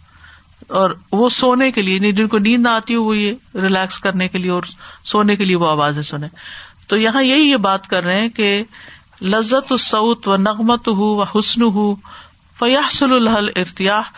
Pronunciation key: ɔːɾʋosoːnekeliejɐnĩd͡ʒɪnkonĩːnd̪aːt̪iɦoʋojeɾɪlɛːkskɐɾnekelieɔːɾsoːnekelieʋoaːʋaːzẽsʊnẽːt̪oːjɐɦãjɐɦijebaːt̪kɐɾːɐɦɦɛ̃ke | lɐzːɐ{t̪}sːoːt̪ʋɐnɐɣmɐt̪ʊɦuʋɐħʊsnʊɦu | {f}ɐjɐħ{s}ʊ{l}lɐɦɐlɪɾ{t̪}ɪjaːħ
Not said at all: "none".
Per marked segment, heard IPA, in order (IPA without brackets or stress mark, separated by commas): t̪, f, s, l, t̪